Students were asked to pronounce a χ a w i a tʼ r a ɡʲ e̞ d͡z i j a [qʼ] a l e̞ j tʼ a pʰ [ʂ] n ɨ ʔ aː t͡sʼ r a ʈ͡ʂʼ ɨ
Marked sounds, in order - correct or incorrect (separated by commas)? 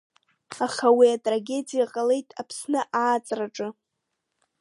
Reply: correct, incorrect